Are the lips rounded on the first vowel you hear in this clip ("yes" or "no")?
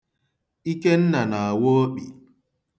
no